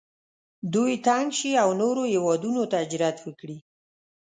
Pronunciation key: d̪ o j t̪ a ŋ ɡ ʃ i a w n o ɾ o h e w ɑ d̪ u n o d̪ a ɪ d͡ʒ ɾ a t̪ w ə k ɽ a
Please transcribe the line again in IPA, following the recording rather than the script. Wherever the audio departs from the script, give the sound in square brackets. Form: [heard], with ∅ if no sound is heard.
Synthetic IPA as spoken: d̪ [u] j t̪ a ŋ ɡ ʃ i a w n o ɾ o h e w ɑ d̪ u n o [t̪] a ɪ d͡ʒ ɾ a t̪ w ə k ɽ [i]